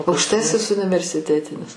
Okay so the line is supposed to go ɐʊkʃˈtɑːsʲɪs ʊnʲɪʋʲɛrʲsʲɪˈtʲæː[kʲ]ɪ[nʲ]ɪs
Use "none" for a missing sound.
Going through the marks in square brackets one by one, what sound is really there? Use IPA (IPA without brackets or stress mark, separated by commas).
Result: tʲ, nʲ